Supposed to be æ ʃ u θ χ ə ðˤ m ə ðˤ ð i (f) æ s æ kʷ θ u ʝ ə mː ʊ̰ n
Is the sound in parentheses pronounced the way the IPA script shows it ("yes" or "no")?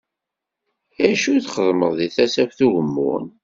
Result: no